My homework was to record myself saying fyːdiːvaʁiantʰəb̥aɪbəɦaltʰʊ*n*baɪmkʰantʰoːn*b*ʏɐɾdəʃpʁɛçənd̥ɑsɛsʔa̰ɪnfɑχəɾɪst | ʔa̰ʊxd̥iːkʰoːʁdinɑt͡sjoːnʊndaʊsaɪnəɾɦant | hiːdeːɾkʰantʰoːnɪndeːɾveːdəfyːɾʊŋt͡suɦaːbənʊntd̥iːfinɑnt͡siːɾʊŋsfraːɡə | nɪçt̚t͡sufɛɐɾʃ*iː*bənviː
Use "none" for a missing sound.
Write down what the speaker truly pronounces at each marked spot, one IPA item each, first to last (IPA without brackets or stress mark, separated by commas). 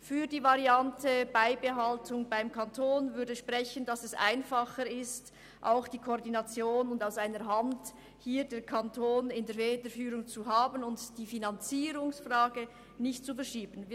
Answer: ŋ, v, iː